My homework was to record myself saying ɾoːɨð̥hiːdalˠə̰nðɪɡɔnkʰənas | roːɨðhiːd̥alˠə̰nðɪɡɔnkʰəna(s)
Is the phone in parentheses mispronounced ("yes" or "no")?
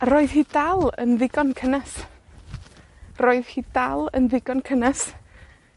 no